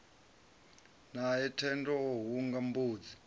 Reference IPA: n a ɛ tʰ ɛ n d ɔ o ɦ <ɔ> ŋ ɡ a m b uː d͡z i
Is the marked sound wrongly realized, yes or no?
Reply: yes